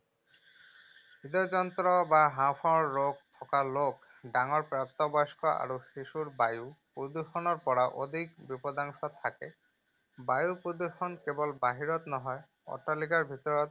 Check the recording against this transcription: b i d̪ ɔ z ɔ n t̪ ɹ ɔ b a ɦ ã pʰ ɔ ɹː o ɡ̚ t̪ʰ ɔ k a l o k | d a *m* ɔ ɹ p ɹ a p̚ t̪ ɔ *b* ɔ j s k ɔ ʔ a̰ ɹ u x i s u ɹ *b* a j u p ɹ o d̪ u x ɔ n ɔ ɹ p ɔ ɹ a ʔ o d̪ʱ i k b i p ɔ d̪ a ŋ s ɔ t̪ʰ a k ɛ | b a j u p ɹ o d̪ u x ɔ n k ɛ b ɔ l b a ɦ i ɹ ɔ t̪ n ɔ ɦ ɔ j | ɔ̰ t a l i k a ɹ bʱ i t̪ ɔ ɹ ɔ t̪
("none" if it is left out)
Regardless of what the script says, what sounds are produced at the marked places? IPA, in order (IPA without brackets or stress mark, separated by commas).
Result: ŋ, b, b